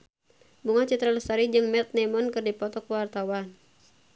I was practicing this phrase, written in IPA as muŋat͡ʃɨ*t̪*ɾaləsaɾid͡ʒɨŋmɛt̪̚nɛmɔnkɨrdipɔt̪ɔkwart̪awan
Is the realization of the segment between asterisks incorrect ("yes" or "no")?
no